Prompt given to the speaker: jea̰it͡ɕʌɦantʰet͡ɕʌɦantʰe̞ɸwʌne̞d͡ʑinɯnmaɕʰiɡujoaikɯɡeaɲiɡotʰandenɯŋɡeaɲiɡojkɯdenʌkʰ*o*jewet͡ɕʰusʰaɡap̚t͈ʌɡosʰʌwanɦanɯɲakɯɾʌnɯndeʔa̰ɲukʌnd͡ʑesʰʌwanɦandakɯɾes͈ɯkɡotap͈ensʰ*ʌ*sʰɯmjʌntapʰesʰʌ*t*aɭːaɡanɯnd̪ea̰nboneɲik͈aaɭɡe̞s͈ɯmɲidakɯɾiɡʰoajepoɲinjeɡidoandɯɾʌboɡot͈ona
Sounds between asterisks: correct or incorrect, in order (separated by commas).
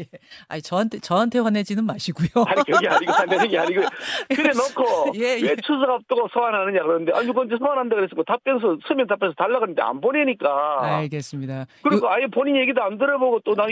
correct, correct, correct